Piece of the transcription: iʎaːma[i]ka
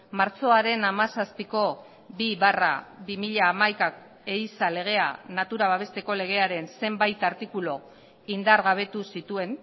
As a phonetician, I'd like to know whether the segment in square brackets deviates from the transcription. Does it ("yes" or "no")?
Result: yes